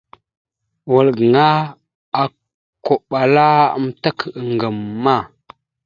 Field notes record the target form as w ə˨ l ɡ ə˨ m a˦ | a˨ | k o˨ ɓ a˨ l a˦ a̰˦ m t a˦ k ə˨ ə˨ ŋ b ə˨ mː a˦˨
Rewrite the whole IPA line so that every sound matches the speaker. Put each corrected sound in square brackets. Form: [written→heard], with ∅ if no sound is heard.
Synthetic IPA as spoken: w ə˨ l ɡ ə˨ [m→ŋ] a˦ | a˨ | k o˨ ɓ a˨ l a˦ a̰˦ m t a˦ k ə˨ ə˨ ŋ [b→ɡ] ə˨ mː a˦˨